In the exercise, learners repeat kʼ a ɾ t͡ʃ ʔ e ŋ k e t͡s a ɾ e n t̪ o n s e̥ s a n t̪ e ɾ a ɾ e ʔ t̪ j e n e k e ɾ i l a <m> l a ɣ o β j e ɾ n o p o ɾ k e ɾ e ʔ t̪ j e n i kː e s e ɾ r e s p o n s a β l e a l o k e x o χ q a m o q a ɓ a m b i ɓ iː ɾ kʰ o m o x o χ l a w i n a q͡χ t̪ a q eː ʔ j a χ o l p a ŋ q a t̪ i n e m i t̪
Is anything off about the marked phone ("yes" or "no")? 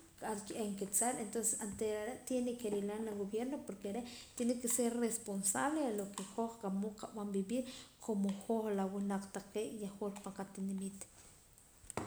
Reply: yes